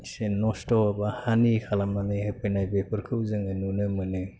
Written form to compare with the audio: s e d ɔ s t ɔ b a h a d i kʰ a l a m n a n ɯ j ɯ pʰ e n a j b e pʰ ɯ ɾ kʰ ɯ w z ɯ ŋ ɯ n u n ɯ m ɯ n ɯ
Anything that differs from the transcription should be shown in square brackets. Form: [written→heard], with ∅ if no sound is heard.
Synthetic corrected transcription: s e [d→n] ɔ s t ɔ b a h a [d→n] i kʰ a l a m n a n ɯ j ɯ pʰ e n a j b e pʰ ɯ ɾ kʰ ɯ w z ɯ ŋ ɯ n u n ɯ m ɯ n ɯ